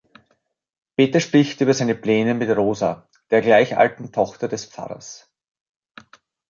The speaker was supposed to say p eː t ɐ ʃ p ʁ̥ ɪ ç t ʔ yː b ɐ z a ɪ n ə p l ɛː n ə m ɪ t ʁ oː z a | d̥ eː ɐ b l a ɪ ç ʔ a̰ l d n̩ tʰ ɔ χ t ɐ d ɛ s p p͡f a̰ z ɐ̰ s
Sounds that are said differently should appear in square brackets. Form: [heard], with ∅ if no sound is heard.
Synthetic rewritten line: p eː t ɐ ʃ p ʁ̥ ɪ ç t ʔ yː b ɐ z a ɪ n ə p l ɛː n ə m ɪ t ʁ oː z a | d̥ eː ɐ [ɡ] l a ɪ ç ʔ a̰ l [t] n̩ tʰ ɔ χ t ɐ d ɛ s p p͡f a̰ [ʁ] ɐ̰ s